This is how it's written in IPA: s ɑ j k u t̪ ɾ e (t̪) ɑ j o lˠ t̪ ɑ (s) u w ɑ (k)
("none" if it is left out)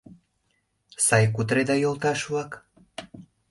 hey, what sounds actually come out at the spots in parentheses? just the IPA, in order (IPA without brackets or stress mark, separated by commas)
d̪, ʃ, k